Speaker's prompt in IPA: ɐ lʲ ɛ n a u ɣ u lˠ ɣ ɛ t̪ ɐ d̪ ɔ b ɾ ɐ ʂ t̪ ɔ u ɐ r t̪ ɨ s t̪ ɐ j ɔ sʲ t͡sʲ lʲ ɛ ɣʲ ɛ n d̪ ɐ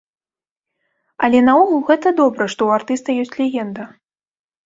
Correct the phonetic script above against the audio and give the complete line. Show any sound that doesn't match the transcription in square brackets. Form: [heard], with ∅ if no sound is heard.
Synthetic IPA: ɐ lʲ ɛ n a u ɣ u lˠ ɣ ɛ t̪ ɐ d̪ ɔ b ɾ ɐ ʂ t̪ ɔ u [a] r t̪ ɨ s t̪ ɐ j ɔ sʲ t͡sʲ lʲ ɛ ɣʲ ɛ n d̪ ɐ

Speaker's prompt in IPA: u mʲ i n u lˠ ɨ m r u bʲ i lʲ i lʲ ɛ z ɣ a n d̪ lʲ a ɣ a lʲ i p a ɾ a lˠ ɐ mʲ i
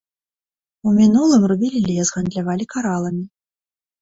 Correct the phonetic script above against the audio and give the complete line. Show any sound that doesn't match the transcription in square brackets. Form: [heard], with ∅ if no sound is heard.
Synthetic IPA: u mʲ i n u lˠ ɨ m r u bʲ i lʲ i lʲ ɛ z ɣ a n d̪ lʲ a [v] a lʲ i [k] a ɾ a lˠ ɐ mʲ i

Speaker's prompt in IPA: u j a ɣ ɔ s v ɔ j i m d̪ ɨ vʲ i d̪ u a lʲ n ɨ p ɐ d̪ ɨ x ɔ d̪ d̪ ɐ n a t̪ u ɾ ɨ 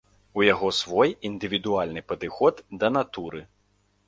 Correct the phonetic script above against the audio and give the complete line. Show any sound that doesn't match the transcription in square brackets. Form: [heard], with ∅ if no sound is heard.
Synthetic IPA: u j a ɣ ɔ s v ɔ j i [n] d̪ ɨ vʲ i d̪ u a lʲ n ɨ p ɐ d̪ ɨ x ɔ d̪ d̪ ɐ n a t̪ u ɾ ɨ

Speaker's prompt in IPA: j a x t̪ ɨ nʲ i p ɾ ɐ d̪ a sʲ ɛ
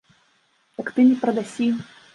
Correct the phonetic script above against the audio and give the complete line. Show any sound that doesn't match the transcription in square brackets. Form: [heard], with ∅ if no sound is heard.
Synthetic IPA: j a [k] t̪ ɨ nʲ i p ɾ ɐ d̪ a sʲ [i]

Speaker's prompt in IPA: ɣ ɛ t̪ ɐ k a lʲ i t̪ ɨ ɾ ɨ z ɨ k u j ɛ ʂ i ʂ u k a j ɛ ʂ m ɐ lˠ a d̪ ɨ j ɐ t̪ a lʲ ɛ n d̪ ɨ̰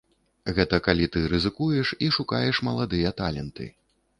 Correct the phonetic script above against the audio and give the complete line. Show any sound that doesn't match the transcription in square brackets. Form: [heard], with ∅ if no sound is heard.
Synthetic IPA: ɣ ɛ t̪ ɐ k a lʲ i t̪ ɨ ɾ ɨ z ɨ k u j ɛ ʂ i ʂ u k a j ɛ ʂ m ɐ lˠ a d̪ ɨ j ɐ t̪ a lʲ ɛ n [t̪] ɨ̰

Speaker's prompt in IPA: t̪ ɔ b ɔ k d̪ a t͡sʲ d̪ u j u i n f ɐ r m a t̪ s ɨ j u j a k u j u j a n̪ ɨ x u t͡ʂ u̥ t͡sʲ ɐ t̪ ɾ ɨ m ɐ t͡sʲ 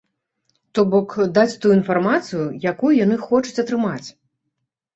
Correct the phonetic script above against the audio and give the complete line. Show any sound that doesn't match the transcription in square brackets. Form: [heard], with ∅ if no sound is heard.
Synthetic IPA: t̪ ɔ b ɔ k d̪ a t͡sʲ [t̪] u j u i n f [a] r m a t̪ s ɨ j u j a k u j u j a n̪ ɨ x [ɔ] t͡ʂ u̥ t͡sʲ ɐ t̪ ɾ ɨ m [a] t͡sʲ

